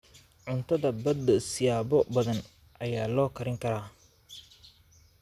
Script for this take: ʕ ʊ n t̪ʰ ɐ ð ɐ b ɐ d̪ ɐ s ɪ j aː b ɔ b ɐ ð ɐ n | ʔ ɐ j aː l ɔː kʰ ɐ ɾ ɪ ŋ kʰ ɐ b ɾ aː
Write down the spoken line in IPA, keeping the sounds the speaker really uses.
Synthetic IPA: ʕ ʊ n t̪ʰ ɐ ð ɐ b ɐ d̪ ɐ s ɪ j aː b ɔ b ɐ ð ɐ n | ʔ ɐ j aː l ɔː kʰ ɐ ɾ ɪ ŋ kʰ ɐ ɾ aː